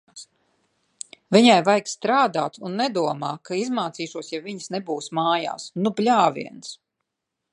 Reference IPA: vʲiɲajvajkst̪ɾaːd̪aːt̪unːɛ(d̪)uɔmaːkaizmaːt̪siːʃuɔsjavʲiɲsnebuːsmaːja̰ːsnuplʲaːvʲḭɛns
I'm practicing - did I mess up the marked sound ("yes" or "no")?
no